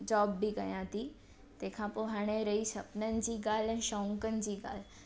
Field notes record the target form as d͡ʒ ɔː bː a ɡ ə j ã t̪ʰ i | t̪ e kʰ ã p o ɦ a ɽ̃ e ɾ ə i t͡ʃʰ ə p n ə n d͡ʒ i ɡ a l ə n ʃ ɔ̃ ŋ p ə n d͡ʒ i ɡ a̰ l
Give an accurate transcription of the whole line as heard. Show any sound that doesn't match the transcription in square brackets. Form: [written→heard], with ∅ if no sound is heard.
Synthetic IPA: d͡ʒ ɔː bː [a→i] ɡ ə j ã [t̪ʰ→t̪] i | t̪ e kʰ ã p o ɦ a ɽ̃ e ɾ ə i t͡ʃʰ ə p n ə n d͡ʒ i ɡ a l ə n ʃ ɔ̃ ŋ [p→k] ə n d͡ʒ i ɡ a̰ l